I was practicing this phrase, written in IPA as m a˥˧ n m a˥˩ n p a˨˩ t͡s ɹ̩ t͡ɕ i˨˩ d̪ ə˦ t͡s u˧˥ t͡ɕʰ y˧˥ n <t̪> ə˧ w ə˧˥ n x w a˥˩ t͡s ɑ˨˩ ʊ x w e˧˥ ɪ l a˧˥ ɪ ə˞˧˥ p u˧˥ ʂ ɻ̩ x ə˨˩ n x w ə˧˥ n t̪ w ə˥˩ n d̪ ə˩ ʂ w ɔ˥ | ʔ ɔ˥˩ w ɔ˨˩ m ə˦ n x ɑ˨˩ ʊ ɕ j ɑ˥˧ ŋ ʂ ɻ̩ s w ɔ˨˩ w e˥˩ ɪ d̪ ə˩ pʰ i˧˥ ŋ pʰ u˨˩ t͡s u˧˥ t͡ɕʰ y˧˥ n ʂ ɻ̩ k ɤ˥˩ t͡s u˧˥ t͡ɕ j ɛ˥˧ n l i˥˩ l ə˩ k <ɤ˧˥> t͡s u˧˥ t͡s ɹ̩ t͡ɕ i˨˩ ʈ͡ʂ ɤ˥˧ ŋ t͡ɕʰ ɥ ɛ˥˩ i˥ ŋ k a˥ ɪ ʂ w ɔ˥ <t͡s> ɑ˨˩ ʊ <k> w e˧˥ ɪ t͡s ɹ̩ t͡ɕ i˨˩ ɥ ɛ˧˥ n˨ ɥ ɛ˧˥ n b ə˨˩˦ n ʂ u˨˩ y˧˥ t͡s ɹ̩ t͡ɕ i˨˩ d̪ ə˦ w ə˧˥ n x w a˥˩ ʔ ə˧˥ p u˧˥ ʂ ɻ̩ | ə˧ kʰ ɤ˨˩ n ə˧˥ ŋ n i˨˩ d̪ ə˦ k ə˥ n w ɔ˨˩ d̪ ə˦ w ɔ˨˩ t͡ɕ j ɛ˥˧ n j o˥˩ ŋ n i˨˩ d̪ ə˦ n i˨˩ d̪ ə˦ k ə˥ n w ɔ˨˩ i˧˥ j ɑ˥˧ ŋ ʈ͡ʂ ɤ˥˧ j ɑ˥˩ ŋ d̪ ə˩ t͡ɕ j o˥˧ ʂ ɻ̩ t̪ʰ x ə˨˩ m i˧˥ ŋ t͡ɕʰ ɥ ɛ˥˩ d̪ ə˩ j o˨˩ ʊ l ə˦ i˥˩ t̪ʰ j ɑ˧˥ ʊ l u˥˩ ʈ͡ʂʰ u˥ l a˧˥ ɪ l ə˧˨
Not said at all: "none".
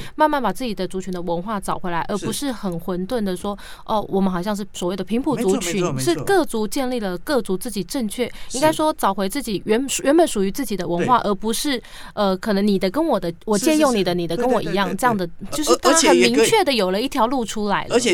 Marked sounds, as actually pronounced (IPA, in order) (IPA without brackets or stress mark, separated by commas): d̪, ɤ˥˩, t͡s, x